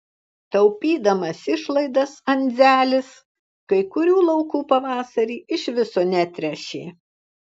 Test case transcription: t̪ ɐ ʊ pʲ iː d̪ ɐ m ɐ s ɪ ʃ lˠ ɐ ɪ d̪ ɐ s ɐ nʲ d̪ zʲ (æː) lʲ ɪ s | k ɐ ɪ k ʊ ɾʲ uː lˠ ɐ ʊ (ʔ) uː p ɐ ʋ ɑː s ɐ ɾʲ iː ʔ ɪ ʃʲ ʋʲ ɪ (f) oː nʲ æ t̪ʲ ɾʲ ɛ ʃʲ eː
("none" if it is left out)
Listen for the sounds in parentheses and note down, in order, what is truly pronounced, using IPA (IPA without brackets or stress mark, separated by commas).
æː, k, s